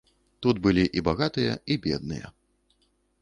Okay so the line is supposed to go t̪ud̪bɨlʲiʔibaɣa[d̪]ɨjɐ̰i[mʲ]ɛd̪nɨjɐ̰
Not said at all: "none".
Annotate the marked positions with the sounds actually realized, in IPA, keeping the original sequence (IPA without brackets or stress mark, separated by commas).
t̪, bʲ